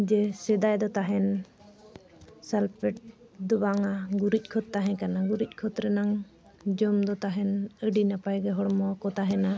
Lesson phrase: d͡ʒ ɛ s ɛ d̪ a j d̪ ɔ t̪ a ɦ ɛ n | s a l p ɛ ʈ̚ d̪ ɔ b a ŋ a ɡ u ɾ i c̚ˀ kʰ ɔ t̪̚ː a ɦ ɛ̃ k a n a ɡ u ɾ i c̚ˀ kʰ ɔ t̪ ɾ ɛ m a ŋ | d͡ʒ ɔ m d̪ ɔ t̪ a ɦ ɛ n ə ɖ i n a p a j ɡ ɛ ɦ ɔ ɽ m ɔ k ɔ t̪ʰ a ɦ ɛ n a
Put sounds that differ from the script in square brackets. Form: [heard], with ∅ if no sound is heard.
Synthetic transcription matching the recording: d͡ʒ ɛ s ɛ d̪ a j d̪ ɔ t̪ a ɦ ɛ n | s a l p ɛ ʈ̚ d̪ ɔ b a ŋ a ɡ u ɾ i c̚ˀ kʰ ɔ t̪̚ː a ɦ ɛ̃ k a n a ɡ u ɾ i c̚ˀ kʰ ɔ t̪ ɾ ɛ [n] a ŋ | d͡ʒ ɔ m d̪ ɔ t̪ a ɦ ɛ n ə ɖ i n a p a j ɡ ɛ ɦ ɔ ɽ m ɔ k ɔ [t̪] a ɦ ɛ n a